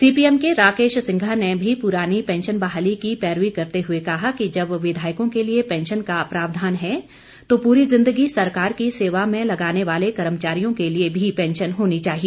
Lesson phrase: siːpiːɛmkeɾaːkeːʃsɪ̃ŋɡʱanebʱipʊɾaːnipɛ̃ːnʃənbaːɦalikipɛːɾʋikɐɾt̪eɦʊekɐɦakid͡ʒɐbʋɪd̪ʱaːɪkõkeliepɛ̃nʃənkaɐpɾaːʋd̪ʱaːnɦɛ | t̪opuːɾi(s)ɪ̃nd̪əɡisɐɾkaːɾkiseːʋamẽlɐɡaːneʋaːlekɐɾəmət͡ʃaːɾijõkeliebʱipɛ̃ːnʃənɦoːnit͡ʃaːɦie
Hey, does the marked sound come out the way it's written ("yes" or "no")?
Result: no